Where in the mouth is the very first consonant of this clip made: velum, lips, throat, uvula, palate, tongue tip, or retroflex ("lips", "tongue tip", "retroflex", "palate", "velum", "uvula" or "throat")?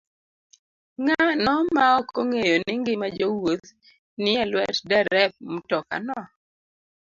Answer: velum